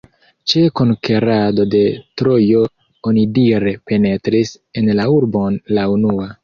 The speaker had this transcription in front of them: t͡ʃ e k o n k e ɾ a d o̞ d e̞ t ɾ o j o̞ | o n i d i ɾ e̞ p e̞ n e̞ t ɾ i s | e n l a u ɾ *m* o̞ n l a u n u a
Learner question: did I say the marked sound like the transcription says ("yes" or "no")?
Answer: no